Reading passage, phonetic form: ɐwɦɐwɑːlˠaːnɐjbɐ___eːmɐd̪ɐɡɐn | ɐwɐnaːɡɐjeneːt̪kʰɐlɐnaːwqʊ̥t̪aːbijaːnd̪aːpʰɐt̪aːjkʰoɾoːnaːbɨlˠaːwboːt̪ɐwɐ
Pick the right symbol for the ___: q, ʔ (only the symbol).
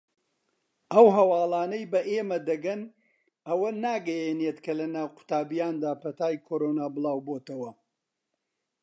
ʔ